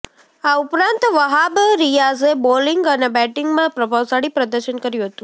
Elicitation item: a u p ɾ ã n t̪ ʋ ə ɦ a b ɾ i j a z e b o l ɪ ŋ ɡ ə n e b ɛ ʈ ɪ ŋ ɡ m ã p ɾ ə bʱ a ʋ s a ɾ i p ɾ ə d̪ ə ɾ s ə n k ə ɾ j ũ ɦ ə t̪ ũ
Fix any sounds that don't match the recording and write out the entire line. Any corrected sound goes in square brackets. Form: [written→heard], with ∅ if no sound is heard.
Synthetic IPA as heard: a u p ɾ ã n t̪ ʋ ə ɦ a b ɾ i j a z e b o l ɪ ŋ ɡ ə n e b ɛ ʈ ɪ ŋ ɡ m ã p ɾ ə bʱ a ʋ s a [ɾ→ɽ] i p ɾ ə d̪ ə ɾ [s→ʃ] ə n k ə ɾ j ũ ɦ ə t̪ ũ

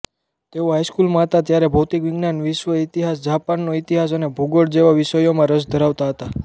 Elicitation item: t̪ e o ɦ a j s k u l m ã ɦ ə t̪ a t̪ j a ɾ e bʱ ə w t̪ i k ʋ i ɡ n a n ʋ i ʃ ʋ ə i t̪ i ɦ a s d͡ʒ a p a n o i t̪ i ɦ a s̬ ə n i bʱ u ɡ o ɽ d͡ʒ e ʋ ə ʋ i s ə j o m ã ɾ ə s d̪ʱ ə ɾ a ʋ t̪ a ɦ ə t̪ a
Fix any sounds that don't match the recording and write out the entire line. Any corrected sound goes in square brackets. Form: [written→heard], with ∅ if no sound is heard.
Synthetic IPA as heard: t̪ e o ɦ a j s k u l m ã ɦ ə t̪ a t̪ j a ɾ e bʱ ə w t̪ i k ʋ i ɡ n a n ʋ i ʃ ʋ ə i t̪ i ɦ a s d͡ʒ a p a [n→nː] o i t̪ i ɦ a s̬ ə n [i→e] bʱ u ɡ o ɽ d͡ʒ e ʋ [ə→a] ʋ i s ə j o m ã ɾ ə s d̪ʱ ə ɾ a ʋ t̪ a ɦ ə t̪ a

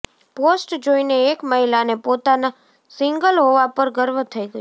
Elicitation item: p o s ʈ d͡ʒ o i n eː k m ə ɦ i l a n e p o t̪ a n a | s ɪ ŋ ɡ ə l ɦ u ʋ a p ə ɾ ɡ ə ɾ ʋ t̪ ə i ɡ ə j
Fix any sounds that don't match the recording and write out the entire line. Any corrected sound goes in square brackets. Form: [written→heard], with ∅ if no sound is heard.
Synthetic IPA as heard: p o s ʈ d͡ʒ o i n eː k m ə ɦ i l a n e p o t̪ a n a | s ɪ ŋ ɡ ə l ɦ [u→o] ʋ a p ə ɾ ɡ ə ɾ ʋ [t̪→t̪ʰ] ə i ɡ ə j

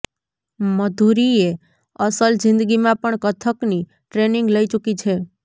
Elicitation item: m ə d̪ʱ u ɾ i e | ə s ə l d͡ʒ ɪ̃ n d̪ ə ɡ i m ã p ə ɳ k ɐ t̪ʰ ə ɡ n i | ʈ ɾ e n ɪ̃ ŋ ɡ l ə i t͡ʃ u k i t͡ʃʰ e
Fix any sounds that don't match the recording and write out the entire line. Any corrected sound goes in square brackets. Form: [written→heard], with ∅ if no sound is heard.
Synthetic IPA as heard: m ə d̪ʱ u ɾ i e | ə s ə l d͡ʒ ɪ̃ n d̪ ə ɡ i m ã p ə ɳ k [ɐ→ə] t̪ʰ ə [ɡ→k] n i | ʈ ɾ e n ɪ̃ ŋ ɡ l ə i t͡ʃ u k i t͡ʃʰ e

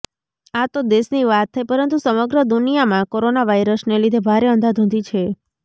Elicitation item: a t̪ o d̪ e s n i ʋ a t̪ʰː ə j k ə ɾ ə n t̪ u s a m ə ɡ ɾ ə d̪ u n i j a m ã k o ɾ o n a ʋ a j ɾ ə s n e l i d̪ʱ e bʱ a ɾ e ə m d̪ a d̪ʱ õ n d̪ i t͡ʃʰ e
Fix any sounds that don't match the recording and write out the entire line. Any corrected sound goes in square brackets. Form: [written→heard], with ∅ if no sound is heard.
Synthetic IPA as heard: a t̪ o d̪ e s n i ʋ a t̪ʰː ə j [k→p] ə ɾ ə n t̪ u s [a→ə] m ə ɡ ɾ ə d̪ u n i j a m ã k o ɾ o n a ʋ a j ɾ ə s n e l i d̪ʱ e bʱ a ɾ e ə [m→n] d̪ a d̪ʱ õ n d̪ i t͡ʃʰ e

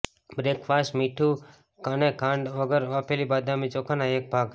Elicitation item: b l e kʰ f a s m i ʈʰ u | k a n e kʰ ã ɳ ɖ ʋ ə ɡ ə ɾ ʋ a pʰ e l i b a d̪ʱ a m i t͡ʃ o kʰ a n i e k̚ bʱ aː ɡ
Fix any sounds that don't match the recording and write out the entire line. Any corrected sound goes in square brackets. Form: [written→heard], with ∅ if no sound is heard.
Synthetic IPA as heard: b [l→ɾ] e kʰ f a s m i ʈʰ u | k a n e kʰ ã ɳ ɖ ʋ ə ɡ ə ɾ ʋ a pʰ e l i b a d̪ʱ a m i t͡ʃ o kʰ a n [i→a] e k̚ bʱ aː ɡ

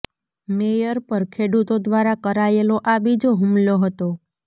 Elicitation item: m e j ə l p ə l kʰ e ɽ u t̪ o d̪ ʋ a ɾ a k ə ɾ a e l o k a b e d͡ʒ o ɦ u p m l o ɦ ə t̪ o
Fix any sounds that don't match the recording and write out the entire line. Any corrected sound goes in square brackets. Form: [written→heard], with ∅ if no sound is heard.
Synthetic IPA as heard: m e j ə [l→ɾ] p ə [l→ɾ] kʰ e ɽ u t̪ o d̪ ʋ a ɾ a k ə ɾ a e l o [k→ʔ] a b [e→i] d͡ʒ o ɦ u [p→∅] m l o ɦ ə t̪ o

